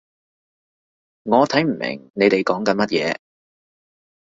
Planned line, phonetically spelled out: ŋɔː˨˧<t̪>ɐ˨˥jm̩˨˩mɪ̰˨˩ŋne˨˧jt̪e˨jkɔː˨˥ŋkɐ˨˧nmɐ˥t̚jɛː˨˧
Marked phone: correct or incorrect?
incorrect